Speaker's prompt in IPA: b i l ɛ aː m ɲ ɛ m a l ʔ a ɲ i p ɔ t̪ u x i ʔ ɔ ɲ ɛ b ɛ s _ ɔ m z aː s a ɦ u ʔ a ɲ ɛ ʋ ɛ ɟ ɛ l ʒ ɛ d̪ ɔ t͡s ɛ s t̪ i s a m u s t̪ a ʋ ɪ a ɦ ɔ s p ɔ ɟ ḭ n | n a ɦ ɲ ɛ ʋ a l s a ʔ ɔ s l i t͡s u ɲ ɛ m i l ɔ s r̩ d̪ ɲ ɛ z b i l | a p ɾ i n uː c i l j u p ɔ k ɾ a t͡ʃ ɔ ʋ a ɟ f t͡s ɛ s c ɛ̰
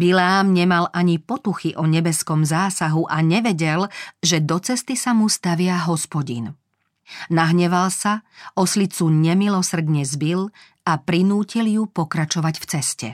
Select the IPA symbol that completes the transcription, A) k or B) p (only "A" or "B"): A